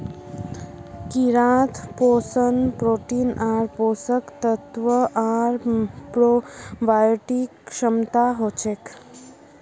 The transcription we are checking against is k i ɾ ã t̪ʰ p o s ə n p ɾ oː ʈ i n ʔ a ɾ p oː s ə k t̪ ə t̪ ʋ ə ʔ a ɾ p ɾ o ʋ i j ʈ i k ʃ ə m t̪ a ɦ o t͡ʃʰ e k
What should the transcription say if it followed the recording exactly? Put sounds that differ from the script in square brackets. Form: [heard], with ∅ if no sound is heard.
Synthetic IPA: k i ɾ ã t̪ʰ p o s ə n p ɾ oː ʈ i n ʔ a ɾ p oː s ə k t̪ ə t̪ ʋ ə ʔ a ɾ p ɾ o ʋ [a] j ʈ i k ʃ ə m t̪ a ɦ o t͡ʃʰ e k